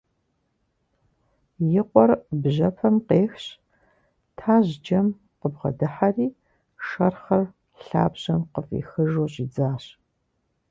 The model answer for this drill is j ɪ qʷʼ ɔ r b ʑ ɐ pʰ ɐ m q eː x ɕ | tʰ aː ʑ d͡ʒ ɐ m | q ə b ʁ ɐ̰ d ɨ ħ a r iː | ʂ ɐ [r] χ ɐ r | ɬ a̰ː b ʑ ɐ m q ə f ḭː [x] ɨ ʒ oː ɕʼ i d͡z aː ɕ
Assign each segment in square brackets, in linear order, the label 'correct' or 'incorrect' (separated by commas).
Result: correct, correct